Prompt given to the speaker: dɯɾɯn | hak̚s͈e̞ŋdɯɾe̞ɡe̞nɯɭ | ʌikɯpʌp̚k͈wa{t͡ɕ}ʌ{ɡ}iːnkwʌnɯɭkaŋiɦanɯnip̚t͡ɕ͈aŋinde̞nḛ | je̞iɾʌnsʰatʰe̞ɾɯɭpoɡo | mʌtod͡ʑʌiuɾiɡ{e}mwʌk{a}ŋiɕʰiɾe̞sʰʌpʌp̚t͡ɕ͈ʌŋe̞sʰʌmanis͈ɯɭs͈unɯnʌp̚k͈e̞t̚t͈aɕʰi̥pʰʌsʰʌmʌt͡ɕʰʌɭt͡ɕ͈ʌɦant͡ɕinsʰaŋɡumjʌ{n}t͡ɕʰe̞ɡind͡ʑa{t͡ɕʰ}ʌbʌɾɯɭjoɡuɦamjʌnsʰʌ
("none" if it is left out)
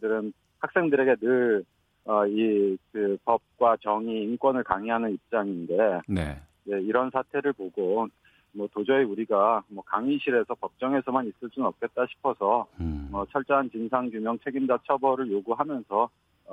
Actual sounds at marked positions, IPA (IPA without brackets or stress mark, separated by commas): t͡ɕ, ŋ, a, a, ŋ, t͡ɕʰ